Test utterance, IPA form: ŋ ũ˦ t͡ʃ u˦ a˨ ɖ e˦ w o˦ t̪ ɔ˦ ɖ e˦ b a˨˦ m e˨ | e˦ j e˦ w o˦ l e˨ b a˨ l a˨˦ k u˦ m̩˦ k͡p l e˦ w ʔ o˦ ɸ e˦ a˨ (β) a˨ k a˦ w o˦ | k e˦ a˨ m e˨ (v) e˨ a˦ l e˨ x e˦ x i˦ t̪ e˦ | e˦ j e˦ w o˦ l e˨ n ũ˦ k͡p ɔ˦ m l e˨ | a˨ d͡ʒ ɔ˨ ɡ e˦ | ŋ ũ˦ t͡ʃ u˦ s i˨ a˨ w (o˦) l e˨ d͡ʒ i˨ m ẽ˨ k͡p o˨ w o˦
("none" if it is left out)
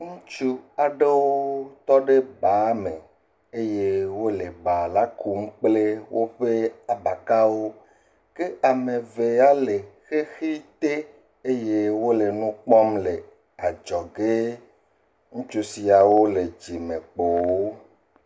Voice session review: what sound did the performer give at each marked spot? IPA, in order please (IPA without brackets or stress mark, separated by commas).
b, v, o˦